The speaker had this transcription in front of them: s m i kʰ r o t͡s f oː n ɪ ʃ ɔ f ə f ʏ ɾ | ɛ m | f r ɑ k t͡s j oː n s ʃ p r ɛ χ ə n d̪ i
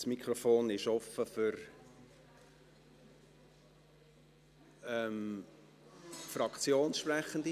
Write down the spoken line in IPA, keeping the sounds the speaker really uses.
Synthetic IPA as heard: s m i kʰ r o f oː n ɪ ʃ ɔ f ə f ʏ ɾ | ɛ m | f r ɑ k t͡s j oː n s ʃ p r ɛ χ ə n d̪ i